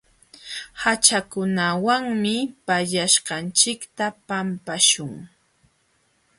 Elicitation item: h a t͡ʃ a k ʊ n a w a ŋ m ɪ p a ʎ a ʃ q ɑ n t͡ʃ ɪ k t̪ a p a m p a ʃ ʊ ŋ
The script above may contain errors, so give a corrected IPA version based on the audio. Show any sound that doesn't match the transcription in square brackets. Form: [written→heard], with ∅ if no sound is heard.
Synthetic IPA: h a t͡ʃ a k ʊ n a w a ŋ m ɪ p a ʎ a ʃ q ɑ n t͡ʃ ɪ k t̪ a p a m p a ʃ ʊ ŋ